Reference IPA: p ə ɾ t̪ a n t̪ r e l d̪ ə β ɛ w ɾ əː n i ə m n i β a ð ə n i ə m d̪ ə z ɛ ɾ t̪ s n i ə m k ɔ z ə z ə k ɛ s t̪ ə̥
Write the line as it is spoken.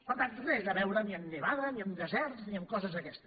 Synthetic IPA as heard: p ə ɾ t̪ a n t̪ r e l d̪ ə β ɛ w ɾ ə n i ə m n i β a ð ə n i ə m d̪ ə z ɛ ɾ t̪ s n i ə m k ɔ z ə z ə k ɛ s t̪ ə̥